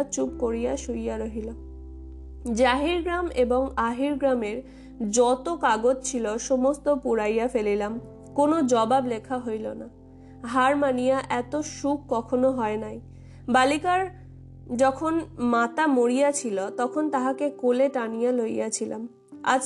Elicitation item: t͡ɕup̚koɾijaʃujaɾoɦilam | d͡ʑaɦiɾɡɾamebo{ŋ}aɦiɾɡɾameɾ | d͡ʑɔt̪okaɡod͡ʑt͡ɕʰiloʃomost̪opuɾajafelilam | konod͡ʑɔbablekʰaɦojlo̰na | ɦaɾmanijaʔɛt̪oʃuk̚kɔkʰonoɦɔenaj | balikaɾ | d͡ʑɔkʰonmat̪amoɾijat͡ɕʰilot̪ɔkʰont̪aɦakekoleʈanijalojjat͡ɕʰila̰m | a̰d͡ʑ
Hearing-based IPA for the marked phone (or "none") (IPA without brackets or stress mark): ŋ